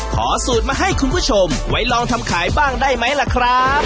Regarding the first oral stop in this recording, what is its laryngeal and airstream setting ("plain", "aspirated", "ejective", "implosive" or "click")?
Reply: aspirated